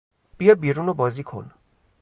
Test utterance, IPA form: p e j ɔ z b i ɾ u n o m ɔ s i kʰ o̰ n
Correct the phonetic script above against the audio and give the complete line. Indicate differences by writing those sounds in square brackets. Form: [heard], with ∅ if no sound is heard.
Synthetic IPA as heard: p [i] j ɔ [∅] b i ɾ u n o [b] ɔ [z] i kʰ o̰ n